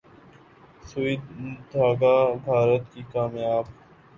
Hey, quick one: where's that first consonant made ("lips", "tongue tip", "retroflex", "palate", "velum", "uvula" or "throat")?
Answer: tongue tip